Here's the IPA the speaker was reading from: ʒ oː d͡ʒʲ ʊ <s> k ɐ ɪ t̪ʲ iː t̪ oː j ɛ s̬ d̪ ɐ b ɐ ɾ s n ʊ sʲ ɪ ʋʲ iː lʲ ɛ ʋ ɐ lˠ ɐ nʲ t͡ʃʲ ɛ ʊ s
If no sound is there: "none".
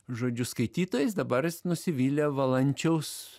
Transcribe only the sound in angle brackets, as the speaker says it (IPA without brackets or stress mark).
s